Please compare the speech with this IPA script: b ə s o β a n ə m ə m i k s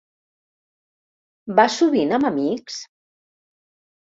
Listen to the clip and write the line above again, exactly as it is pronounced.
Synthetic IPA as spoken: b a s u β i n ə m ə m i k s